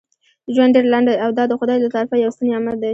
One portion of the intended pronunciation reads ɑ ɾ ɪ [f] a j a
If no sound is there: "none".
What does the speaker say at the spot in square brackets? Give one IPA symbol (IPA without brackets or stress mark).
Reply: f